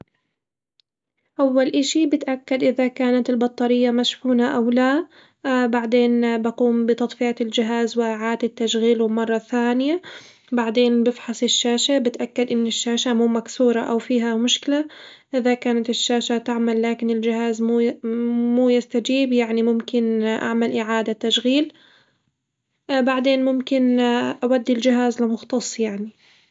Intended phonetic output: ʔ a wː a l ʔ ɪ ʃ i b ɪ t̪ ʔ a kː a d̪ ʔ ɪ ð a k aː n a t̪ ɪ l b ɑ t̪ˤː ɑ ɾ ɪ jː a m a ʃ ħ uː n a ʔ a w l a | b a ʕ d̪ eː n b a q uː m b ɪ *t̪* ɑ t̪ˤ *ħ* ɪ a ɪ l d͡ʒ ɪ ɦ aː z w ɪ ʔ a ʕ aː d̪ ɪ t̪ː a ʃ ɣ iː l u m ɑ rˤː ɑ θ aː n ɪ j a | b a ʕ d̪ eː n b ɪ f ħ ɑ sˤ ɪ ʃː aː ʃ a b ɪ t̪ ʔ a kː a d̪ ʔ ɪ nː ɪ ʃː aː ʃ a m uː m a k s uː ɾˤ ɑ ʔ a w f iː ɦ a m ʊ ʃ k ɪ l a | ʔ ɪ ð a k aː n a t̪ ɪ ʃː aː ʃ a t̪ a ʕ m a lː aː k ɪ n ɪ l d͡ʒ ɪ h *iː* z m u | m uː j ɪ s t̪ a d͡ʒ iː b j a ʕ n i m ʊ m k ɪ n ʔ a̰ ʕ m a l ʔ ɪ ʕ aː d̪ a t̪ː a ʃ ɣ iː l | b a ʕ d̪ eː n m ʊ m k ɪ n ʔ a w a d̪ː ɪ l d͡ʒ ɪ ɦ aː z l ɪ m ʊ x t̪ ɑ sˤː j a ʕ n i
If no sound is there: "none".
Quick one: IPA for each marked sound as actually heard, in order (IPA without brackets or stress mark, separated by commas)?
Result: t̪, f, aː